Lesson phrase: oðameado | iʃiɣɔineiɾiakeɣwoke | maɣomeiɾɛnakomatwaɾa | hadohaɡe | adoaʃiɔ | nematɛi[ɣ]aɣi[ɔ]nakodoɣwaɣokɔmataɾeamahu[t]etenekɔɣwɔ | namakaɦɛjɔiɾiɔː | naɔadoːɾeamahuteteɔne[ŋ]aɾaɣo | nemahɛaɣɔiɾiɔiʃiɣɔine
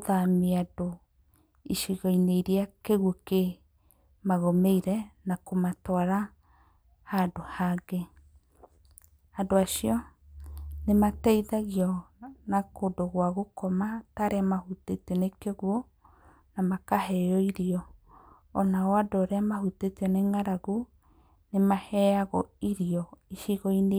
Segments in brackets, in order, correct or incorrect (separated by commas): incorrect, correct, correct, correct